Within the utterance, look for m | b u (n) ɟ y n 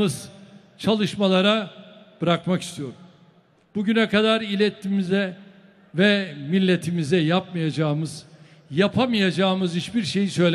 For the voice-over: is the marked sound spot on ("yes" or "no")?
no